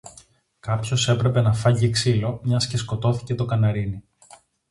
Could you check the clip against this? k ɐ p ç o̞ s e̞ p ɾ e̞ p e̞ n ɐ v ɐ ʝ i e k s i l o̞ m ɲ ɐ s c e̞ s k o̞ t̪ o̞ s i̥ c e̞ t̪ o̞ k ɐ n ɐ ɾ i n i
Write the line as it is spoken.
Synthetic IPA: k ɐ p ç o̞ s e̞ p ɾ e̞ p e̞ n ɐ f ɐ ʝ i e k s i l o̞ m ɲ ɐ s c e̞ s k o̞ t̪ o̞ θ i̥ c e̞ t̪ o̞ k ɐ n ɐ ɾ i n i